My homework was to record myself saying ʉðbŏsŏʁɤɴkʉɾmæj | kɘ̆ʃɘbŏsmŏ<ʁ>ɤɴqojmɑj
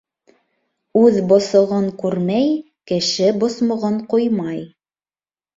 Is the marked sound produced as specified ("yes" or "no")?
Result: yes